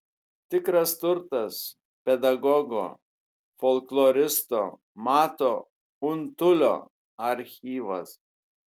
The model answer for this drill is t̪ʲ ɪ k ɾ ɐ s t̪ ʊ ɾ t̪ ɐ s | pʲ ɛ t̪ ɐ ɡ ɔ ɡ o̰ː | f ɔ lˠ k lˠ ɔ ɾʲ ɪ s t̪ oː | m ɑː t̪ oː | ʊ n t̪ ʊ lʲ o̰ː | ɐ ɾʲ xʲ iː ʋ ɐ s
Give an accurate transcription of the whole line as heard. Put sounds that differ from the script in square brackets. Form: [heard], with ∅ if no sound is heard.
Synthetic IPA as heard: t̪ʲ ɪ k ɾ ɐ s t̪ ʊ ɾ t̪ ɐ s | pʲ ɛ [d̪] ɐ ɡ ɔ ɡ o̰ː | f ɔ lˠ k lˠ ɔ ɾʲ ɪ s t̪ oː | m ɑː t̪ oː | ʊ n t̪ ʊ lʲ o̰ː | ɐ ɾʲ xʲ iː ʋ ɐ s